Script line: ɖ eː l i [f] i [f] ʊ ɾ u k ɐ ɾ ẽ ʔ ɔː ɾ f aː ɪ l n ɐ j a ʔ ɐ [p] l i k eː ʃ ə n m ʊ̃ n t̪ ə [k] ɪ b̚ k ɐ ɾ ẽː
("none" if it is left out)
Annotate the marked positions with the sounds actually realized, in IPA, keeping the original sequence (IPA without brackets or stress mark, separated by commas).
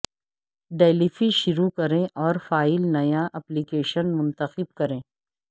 f, ʃ, p, x